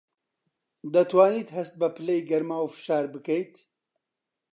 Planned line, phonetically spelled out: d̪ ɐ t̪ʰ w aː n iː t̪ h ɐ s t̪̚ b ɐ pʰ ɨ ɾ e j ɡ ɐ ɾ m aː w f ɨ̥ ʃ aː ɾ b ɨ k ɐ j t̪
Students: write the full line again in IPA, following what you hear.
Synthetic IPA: d̪ ɐ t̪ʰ w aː n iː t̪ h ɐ s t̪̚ b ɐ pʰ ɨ l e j ɡ ɐ ɾ m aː w f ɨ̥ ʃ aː ɾ b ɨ k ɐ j t̪